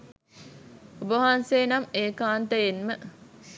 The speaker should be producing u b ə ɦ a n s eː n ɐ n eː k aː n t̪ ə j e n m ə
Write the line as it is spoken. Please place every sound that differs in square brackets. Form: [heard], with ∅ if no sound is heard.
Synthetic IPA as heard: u b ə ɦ a n s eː n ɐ [m] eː k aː n t̪ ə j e n m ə